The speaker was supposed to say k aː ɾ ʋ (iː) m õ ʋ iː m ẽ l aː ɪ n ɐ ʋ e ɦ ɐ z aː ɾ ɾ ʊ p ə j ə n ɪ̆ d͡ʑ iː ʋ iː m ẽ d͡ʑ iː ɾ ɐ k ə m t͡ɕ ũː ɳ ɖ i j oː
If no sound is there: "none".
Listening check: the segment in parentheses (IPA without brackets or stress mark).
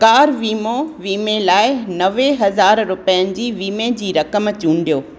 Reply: iː